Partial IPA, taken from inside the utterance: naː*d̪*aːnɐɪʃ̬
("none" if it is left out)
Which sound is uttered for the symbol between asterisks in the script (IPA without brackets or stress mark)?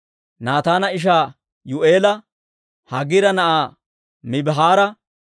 t̪